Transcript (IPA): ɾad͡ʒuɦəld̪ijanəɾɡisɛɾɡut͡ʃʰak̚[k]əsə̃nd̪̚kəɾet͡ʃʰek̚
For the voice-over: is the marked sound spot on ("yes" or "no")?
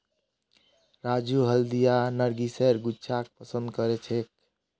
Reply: no